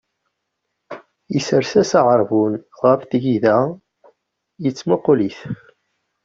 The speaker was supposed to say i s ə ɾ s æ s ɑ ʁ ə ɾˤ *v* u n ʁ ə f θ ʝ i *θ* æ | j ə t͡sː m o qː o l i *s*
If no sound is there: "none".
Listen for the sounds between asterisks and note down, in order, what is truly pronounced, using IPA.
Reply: v, ð, θ

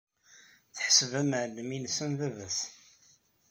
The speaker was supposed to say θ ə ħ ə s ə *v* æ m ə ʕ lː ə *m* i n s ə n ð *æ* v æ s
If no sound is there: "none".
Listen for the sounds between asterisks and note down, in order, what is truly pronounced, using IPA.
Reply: v, m, æ

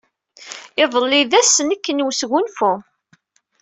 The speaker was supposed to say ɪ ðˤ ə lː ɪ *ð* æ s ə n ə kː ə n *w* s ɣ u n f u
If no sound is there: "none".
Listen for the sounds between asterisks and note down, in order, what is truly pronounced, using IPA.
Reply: ð, w

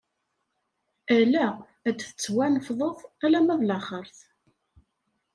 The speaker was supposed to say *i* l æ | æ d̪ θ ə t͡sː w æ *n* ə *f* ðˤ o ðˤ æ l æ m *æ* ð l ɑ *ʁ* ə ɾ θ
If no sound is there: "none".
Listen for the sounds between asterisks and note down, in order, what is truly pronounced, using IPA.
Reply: æ, n, f, æ, χ

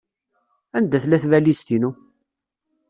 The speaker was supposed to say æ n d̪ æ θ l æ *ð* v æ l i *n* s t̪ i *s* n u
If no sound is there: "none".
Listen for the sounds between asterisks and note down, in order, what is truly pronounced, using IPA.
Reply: θ, none, none

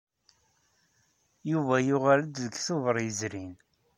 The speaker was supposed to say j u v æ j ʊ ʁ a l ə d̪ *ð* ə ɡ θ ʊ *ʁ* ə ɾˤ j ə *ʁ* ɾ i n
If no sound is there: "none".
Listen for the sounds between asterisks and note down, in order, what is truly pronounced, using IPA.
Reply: ð, v, z

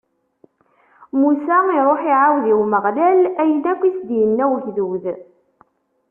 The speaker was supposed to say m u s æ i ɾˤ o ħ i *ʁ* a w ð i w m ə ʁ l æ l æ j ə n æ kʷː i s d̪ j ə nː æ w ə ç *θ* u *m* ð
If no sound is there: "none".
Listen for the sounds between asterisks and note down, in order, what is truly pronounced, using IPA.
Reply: ʕ, ð, none

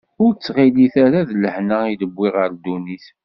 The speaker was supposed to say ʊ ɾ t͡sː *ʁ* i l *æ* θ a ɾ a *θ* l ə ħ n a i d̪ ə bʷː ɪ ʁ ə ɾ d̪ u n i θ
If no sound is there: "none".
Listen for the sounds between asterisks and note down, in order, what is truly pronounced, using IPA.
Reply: ʁ, i, ð

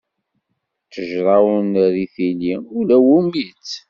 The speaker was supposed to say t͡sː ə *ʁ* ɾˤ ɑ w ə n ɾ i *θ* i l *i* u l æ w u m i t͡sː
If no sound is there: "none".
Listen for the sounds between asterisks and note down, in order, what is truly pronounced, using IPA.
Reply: ʒ, θ, i

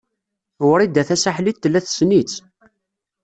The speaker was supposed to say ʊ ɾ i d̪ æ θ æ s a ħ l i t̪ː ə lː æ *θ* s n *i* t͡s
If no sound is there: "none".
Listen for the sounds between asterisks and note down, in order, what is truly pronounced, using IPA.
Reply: θ, i

